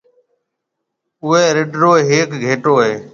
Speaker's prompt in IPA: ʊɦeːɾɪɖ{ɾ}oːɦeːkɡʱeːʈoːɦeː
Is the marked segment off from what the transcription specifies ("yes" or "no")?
no